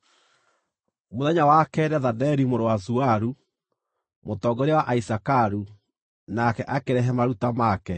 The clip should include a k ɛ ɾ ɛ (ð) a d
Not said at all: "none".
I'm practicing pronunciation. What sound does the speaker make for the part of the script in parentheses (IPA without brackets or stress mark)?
ð